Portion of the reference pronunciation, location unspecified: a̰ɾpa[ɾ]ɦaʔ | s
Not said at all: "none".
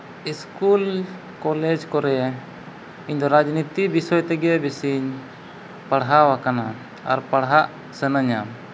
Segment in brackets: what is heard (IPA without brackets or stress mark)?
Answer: ɽ